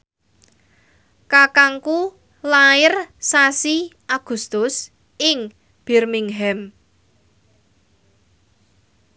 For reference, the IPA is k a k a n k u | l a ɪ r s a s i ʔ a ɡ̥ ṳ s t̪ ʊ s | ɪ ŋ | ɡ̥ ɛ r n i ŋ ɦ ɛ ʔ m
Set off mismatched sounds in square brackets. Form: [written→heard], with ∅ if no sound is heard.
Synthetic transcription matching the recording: k a k a [n→ŋ] k u | l a ɪ r s a s i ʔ a ɡ̥ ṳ s t̪ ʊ s | ɪ ŋ | [ɡ̥→b̥] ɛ r [n→m] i ŋ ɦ ɛ [ʔ→∅] m